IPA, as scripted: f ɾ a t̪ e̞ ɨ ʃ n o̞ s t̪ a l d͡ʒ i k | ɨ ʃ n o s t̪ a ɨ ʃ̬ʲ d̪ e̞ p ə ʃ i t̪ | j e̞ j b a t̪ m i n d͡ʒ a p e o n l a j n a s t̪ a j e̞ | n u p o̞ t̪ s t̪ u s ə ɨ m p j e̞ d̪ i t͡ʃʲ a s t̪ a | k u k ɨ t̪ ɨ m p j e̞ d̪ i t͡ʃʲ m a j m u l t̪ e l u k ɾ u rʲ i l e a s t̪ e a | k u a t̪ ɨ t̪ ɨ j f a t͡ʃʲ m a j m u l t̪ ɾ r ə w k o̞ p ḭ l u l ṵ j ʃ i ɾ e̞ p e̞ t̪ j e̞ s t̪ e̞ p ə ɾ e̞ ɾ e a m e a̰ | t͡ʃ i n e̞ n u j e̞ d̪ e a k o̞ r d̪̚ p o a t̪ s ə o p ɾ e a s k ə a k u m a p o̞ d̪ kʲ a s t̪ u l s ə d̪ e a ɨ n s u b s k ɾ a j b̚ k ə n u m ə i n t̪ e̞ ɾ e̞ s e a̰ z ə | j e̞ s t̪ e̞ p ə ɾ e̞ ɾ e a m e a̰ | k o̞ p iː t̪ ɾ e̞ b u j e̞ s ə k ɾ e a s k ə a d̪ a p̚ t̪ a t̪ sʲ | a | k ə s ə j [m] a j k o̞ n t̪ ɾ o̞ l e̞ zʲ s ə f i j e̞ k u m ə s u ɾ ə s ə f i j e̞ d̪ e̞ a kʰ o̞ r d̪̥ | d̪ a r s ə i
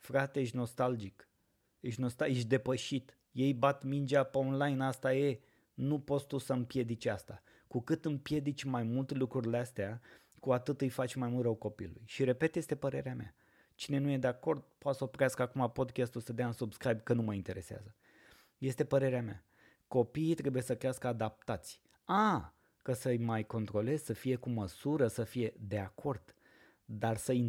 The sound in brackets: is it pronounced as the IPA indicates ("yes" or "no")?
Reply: yes